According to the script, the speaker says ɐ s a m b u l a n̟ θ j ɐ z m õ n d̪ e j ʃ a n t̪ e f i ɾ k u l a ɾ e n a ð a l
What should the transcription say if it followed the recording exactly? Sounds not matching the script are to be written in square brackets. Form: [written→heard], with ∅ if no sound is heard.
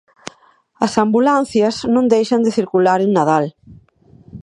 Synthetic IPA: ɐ s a m b u l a n̟ θ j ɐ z [m→n] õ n d̪ e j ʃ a n [t̪→d̪] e [f→θ] i ɾ k u l a ɾ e n a ð a l

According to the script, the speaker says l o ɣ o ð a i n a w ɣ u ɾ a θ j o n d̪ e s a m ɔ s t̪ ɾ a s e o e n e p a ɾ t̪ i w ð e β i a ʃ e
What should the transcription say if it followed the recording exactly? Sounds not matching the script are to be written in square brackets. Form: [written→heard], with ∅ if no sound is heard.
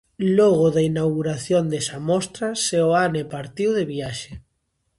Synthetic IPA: l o ɣ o ð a i n a w ɣ u ɾ a θ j o n d̪ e s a m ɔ s t̪ ɾ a s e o [e→a] n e p a ɾ t̪ i w ð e β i a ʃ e

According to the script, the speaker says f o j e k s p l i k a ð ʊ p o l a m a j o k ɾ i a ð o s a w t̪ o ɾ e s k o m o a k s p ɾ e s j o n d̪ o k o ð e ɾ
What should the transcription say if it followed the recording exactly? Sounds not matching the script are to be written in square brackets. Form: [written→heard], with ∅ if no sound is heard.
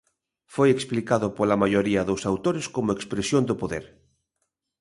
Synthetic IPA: f o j e k s p l i k a ð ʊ p o l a m a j o [k→∅] ɾ i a ð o s a w t̪ o ɾ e s k o m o [a→e] k s p ɾ e s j o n d̪ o [k→p] o ð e ɾ

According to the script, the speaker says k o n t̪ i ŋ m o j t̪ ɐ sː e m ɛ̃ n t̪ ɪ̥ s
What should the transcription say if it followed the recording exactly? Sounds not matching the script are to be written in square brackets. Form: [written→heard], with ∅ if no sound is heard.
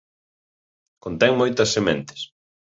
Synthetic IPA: k o n t̪ [i→ɛ] ŋ m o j t̪ ɐ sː e m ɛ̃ n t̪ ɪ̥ s

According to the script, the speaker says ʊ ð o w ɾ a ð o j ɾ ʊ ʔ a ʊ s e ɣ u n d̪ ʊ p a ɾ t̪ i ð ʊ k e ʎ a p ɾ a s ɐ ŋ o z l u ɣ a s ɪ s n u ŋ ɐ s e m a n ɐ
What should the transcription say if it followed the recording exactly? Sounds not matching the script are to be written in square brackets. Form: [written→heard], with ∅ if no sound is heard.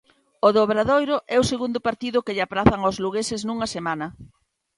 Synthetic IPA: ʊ ð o [w→β] ɾ a ð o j ɾ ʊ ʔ [a→ɛ] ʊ s e ɣ u n d̪ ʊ p a ɾ t̪ i ð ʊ k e ʎ a p ɾ a [s→θ] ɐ ŋ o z l u ɣ [a→e] s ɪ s n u ŋ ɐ s e m a n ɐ

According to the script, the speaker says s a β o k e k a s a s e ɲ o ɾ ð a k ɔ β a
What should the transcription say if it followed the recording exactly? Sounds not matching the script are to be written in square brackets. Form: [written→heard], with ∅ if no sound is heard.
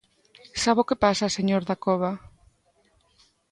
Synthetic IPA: s a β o k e [k→p] a s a s e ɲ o ɾ ð a k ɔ β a

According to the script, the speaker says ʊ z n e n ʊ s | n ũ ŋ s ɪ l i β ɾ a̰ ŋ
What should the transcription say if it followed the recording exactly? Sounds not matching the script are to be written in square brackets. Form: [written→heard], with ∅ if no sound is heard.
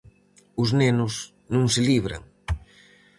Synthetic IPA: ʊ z n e n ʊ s | n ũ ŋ s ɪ l i β ɾ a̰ ŋ

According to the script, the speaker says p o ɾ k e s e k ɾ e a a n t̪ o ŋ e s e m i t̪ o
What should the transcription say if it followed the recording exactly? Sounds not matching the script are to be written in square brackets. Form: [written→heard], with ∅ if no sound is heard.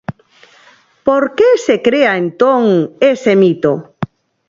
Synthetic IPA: p o ɾ k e s e k ɾ e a [a→e] n t̪ o ŋ e s e m i t̪ o

